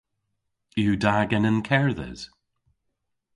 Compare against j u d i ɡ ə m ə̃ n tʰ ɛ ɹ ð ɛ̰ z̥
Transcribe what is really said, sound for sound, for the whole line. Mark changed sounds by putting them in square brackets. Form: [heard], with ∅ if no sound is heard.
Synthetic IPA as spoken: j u d [a] ɡ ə [n] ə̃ n [kʰ] ɛ ɹ ð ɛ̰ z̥